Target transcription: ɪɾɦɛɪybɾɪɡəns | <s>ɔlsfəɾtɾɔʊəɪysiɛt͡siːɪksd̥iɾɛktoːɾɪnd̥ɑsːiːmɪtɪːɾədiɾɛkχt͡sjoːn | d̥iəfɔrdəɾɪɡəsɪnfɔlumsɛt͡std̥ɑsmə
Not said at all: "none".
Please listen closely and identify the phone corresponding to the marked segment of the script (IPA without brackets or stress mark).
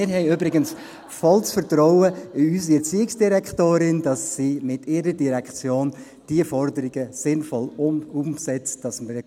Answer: f